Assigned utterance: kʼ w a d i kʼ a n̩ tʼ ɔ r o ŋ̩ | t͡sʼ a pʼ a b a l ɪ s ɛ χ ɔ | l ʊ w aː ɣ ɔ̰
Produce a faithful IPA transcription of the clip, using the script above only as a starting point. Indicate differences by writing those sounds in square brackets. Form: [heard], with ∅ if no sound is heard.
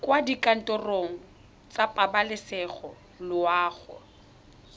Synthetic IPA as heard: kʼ w a d i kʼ a n̩ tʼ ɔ r o ŋ̩ | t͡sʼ a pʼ a b a l ɪ s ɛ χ ɔ | l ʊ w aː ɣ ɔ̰